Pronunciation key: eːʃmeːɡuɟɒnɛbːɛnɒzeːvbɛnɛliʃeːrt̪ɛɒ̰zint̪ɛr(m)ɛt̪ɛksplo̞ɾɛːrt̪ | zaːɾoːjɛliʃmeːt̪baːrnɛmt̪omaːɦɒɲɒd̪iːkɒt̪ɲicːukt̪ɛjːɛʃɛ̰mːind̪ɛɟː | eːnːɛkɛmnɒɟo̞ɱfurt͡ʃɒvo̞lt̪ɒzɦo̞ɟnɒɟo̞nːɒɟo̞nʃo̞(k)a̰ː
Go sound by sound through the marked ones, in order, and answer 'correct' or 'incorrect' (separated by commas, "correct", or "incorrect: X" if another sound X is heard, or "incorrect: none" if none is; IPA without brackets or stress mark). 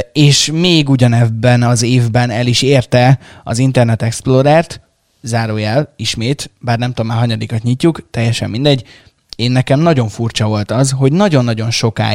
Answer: incorrect: n, correct